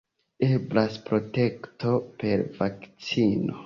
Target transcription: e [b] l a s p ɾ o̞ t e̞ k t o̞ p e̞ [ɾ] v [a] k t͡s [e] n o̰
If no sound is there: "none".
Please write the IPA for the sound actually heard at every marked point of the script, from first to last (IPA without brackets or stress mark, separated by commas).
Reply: b, ɾ, a, i